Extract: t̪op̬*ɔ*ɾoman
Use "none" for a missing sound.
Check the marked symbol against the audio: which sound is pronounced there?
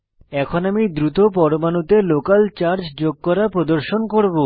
ɔ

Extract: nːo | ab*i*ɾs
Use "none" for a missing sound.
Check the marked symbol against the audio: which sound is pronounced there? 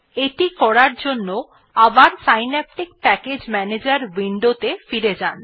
a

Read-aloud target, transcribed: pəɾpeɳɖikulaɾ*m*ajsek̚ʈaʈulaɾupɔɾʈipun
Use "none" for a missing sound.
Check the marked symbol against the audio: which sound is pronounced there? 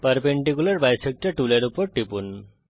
b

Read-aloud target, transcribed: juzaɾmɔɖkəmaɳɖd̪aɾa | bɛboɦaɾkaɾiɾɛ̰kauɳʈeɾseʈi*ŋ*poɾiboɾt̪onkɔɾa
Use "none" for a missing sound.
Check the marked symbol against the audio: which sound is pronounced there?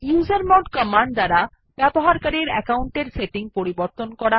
ŋ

